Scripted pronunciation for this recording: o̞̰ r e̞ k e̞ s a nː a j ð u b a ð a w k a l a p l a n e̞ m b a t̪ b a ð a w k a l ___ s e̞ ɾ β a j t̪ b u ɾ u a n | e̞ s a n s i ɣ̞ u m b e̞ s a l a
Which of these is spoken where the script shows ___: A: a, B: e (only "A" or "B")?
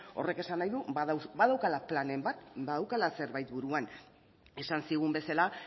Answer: A